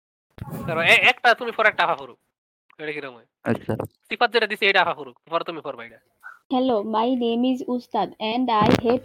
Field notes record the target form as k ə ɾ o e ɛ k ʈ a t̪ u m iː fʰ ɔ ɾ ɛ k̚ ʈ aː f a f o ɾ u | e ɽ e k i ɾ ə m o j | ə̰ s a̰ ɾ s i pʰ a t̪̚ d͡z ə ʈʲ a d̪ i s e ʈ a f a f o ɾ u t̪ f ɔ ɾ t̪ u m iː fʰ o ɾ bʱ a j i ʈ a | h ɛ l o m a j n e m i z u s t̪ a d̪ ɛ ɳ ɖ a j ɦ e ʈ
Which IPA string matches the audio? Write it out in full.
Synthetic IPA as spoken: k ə ɾ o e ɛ k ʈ a t̪ u m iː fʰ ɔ ɾ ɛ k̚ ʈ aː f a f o ɾ u | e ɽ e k i ɾ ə m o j | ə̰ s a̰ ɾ s i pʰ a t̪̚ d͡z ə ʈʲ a d̪ i s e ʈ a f a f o ɾ u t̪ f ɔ ɾ t̪ u m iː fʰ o ɾ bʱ a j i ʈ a | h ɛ l o m a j n e m i z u s t̪ a d̪ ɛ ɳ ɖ a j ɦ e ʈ